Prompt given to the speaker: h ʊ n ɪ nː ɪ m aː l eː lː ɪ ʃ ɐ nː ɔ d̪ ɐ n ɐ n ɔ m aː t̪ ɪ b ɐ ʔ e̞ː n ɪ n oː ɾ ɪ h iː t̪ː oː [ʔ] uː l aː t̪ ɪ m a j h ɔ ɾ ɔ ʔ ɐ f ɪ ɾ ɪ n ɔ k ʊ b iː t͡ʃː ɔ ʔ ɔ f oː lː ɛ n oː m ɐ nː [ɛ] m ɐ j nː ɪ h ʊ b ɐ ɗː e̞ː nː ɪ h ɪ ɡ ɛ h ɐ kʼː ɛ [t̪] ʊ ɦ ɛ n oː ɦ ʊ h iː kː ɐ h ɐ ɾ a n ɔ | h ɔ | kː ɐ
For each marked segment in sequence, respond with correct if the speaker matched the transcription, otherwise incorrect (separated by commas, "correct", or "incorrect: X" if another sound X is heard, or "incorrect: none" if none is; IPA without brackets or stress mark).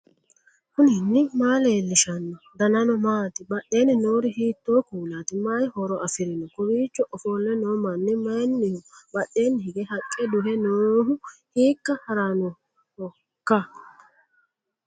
incorrect: k, correct, incorrect: d̪